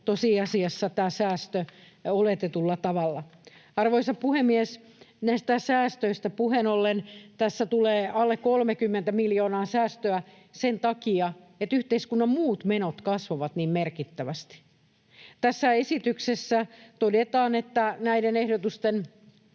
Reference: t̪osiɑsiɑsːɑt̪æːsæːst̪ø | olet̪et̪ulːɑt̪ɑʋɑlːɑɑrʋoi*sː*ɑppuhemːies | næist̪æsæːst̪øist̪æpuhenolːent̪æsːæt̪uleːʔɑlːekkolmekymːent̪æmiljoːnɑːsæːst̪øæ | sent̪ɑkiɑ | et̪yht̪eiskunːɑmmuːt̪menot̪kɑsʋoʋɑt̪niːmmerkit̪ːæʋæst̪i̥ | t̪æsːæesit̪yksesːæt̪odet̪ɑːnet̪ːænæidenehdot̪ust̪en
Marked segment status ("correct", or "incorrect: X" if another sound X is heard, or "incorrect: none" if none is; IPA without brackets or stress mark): incorrect: s